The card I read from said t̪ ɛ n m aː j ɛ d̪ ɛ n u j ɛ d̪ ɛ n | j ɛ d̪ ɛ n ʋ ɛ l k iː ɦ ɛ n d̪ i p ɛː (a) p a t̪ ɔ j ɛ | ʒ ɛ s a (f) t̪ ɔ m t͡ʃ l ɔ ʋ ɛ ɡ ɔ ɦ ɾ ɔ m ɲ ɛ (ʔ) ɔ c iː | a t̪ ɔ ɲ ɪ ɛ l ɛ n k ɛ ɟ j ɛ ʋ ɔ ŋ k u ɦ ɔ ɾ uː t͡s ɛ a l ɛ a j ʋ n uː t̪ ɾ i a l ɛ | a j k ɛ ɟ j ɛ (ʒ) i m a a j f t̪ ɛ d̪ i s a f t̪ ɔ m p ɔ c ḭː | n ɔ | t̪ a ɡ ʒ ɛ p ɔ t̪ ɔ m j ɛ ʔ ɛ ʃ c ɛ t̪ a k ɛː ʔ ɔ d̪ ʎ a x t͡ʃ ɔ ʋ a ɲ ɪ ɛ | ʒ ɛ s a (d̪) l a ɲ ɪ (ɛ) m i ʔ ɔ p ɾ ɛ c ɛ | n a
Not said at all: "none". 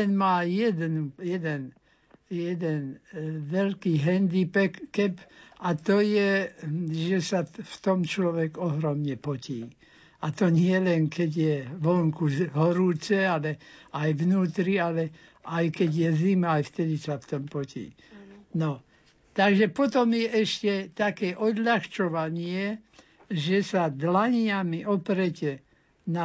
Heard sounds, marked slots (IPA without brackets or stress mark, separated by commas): ɛ, f, p, z, d̪, a